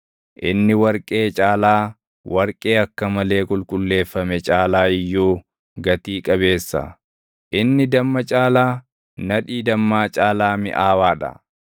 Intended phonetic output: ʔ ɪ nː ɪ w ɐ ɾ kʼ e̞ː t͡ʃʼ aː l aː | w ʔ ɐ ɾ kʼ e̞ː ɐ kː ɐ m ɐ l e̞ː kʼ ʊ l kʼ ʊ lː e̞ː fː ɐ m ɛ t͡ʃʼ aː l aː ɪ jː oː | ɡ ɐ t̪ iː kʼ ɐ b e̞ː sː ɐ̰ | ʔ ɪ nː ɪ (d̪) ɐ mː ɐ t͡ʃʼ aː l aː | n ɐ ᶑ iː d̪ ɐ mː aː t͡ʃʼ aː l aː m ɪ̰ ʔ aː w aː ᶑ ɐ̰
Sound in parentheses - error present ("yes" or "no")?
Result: no